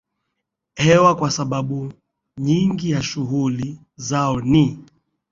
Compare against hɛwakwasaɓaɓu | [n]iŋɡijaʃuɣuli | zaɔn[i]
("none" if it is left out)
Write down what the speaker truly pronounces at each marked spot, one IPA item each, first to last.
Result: ɲ, i

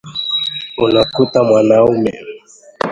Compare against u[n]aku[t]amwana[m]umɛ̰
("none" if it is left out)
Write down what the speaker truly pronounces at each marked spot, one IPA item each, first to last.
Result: n, t, none

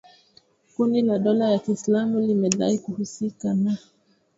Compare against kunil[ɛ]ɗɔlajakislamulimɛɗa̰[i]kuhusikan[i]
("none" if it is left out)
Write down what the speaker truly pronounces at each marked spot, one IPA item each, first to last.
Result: a, i, a

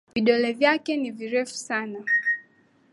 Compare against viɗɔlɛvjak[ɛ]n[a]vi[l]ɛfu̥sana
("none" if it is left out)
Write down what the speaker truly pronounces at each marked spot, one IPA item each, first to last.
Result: ɛ, i, ɾ

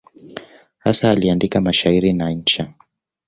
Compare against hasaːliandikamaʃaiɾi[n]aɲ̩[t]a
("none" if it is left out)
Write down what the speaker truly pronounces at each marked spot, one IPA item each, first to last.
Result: n, t͡ʃ

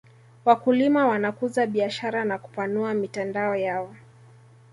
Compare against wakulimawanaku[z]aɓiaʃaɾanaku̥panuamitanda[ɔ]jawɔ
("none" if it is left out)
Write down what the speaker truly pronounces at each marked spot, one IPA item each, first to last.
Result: z, ɔ

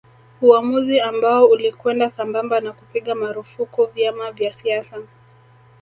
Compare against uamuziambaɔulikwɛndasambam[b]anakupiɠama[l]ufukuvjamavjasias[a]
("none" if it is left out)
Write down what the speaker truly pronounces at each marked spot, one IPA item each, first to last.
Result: b, ɾ, a

